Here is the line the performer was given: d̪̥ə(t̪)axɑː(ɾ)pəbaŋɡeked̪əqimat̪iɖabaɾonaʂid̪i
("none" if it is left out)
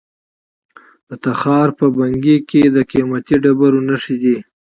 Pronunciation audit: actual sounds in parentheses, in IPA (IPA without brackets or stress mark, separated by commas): t̪, ɾ